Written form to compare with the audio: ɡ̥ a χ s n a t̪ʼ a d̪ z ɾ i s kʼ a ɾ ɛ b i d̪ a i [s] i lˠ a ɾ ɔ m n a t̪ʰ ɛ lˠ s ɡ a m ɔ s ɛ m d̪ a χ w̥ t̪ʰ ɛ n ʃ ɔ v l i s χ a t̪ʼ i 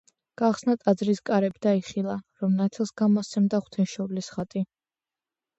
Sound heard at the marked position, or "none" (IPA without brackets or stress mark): χ